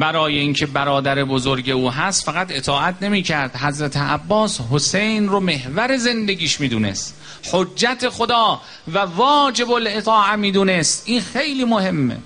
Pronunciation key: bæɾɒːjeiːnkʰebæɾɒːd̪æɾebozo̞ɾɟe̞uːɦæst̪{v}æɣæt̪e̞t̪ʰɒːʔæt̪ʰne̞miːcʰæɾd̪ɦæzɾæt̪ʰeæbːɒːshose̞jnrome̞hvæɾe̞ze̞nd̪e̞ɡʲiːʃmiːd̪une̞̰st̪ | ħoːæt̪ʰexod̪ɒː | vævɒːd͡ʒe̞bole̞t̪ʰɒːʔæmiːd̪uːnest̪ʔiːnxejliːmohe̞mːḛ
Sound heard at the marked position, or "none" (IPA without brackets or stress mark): f